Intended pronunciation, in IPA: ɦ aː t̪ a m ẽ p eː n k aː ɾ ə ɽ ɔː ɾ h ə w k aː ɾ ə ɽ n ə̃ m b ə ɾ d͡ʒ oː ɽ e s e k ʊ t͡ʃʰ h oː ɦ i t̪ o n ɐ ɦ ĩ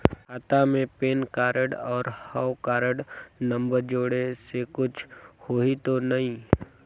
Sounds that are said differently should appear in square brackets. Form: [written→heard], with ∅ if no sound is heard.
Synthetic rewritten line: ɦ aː t̪ a m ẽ p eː n k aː ɾ ə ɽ ɔː ɾ h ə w k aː ɾ ə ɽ n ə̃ m b ə ɾ d͡ʒ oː ɽ e s e k ʊ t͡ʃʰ h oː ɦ i t̪ o n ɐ ɦ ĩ